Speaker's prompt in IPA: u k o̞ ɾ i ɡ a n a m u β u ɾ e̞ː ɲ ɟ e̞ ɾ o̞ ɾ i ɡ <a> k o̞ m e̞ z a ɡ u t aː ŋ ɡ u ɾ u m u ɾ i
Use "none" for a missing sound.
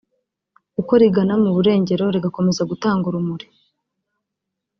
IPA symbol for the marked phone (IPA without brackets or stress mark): a